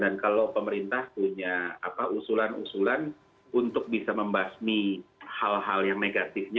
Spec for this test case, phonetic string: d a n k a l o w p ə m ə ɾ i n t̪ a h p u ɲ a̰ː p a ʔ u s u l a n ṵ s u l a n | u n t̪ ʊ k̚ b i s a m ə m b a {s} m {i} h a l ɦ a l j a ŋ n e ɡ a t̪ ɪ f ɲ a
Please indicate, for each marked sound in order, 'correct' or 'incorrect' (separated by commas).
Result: correct, correct